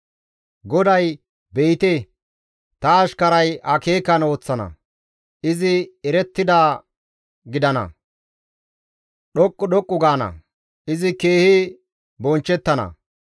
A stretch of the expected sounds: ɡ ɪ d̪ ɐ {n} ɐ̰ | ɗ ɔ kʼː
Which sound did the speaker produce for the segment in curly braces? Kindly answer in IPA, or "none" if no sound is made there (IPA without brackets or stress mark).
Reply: n